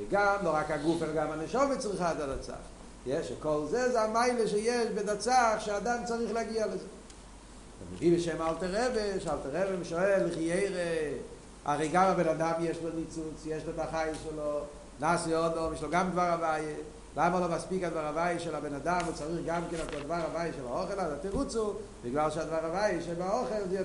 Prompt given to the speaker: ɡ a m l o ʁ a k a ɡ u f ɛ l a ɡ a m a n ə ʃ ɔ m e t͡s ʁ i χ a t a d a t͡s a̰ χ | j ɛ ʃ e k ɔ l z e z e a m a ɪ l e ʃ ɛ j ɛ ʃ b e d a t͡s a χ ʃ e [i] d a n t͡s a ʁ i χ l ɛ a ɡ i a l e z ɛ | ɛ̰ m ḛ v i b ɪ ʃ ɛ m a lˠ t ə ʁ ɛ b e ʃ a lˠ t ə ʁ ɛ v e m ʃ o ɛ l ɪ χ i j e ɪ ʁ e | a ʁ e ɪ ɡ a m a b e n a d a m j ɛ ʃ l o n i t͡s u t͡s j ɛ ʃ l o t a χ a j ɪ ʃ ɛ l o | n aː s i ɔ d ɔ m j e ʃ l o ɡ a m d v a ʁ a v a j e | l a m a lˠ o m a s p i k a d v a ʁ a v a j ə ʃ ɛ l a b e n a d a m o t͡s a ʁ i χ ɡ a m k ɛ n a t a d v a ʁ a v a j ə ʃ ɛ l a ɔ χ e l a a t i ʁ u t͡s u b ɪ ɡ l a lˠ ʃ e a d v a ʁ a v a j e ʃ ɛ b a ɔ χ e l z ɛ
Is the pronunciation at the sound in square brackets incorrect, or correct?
incorrect